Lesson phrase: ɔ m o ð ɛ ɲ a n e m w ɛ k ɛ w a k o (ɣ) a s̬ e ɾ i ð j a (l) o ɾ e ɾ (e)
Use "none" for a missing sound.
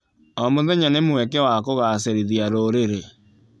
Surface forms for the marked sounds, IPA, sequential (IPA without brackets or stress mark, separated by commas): ɣ, ɾ, e